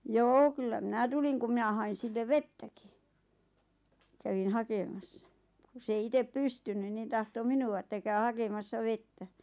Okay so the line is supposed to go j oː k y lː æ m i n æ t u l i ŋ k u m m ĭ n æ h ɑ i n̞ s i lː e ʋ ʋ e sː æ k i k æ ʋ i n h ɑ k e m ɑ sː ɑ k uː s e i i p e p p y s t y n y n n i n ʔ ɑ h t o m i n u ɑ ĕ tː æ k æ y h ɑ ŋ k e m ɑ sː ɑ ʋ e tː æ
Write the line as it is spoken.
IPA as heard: j oː k y lː æ m i n æ t u l i ŋ k u m m ĭ n æ h ɑ i n̞ s i lː e ʋ ʋ e tː æ k i k æ ʋ i n h ɑ k e m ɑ sː ɑ k u s e i i t e p p y s t y n y n n i n t ɑ h t o m i n u ɑ ĕ tː æ k æ y h ɑ k e m ɑ sː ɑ ʋ e tː æ